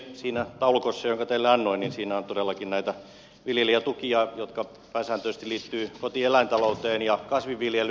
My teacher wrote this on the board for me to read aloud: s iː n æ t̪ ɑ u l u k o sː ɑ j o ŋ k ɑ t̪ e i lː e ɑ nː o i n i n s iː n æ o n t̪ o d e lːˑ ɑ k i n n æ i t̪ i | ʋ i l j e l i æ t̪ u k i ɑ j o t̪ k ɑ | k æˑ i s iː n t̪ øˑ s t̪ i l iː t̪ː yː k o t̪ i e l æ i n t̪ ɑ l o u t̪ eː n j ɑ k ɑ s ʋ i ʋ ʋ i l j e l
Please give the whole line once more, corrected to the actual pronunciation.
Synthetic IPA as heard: s iː n æ t̪ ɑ u l u k o sː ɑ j o ŋ k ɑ t̪ e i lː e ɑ nː o i n i n s iː n æ o n t̪ o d e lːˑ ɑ k i n n æ i t̪ æ | ʋ i l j e l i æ t̪ u k i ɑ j o t̪ k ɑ | p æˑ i s æː n t̪ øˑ s t̪ i l iː t̪ː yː k o t̪ i e l æ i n t̪ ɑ l o u t̪ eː n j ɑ k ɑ s ʋ i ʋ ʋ i l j e l